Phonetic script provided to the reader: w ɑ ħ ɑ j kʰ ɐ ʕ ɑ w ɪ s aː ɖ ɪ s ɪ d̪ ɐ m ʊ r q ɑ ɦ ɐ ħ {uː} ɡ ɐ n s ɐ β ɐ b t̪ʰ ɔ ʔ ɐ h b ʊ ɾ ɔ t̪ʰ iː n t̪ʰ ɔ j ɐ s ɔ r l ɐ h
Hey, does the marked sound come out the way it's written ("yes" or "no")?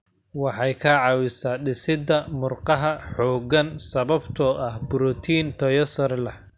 no